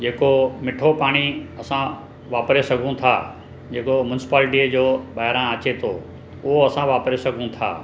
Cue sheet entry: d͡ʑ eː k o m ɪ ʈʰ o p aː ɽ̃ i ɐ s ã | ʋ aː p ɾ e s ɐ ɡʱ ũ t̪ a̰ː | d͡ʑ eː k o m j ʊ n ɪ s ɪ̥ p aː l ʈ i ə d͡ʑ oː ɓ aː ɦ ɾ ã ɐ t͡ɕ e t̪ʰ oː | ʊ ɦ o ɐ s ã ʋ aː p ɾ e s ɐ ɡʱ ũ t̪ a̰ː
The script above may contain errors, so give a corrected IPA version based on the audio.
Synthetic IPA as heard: d͡ʑ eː k o m ɪ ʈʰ o p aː ɽ̃ i ɐ s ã | ʋ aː p ɾ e s ɐ ɡʱ ũ t̪ʰ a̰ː | d͡ʑ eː k o m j ʊ n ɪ s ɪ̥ p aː l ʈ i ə d͡ʑ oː ɓ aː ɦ ɾ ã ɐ t͡ɕ e t̪ʰ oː | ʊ ɦ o ɐ s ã ʋ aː p ɾ e s ɐ ɡʱ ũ t̪ʰ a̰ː